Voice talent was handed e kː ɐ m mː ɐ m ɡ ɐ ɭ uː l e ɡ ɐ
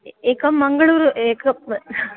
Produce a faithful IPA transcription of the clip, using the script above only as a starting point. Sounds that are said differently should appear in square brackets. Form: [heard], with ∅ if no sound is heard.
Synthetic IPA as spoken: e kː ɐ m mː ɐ [ŋ] ɡ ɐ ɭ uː [ɾ] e [k] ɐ